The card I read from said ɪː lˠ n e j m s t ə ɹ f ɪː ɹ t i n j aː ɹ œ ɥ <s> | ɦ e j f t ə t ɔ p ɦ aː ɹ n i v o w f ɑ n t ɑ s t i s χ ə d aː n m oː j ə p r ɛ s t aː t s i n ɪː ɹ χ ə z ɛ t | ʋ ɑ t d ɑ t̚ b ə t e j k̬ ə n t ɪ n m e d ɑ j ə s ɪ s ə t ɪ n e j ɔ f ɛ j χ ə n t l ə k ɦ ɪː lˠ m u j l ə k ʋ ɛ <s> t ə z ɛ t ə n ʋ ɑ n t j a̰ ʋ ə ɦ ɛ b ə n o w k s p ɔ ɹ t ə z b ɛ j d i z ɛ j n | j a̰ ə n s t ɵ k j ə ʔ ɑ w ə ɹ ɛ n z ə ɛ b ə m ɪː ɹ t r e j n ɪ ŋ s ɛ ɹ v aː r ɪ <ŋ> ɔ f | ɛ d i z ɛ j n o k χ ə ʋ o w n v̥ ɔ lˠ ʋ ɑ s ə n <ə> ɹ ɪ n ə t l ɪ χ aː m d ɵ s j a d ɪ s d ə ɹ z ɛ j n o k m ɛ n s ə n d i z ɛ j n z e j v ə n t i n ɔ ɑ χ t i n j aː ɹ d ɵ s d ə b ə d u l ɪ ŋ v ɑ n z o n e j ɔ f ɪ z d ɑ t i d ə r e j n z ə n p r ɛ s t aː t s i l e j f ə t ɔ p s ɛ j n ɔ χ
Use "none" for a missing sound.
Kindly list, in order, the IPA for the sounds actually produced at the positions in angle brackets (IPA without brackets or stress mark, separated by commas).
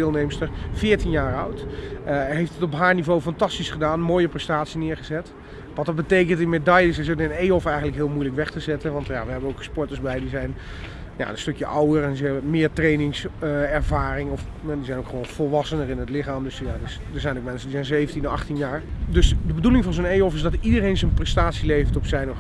t, χ, ŋ, ə